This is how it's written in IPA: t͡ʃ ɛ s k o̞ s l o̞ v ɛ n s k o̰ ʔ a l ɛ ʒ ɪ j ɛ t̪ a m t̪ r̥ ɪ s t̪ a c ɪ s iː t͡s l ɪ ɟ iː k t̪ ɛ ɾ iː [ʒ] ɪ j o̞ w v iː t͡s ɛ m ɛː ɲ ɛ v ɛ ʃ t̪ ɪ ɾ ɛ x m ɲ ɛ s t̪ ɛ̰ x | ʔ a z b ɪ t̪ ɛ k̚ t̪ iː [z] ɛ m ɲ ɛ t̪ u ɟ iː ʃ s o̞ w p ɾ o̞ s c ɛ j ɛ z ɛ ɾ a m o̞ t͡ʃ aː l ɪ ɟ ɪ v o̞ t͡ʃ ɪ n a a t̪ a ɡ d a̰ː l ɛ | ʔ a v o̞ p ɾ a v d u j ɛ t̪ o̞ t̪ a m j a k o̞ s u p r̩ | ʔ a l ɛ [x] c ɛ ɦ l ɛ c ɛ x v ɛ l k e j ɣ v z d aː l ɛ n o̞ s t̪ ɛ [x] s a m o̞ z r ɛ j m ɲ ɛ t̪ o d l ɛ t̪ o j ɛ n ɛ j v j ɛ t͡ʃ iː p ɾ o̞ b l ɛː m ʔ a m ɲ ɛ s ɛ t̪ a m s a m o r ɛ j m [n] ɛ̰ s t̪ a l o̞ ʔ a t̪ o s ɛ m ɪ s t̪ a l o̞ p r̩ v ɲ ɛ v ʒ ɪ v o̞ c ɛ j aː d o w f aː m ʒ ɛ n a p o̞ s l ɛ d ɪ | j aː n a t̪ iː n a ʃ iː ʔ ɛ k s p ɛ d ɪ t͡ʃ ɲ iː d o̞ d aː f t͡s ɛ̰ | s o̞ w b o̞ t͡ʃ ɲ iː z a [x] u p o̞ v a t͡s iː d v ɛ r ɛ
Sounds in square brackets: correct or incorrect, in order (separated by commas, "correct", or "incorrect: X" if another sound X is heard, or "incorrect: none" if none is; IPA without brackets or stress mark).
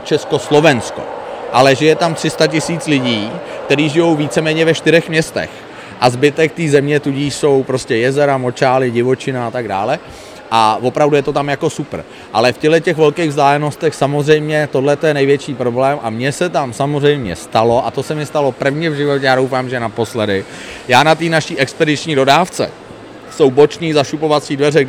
correct, correct, incorrect: f, correct, incorrect: ɲ, incorrect: ʃ